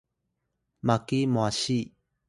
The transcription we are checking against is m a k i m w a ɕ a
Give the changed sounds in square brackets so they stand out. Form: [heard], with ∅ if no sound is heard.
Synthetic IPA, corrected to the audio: m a k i m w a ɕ [i]